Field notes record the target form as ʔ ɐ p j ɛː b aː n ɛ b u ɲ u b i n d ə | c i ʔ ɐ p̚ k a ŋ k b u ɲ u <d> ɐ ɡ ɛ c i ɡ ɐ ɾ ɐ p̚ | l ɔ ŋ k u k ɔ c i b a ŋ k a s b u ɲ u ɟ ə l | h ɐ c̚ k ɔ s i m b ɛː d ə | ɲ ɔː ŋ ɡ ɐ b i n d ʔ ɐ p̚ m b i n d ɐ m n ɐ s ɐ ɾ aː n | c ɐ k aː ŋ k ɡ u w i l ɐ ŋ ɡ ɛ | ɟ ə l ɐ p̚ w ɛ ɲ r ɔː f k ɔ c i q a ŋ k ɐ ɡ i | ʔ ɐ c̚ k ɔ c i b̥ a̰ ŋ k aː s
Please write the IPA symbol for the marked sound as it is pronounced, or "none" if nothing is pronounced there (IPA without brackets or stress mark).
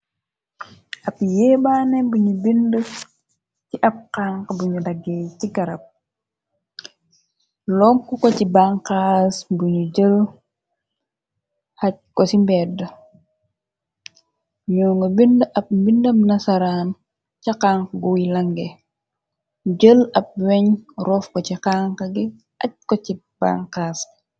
d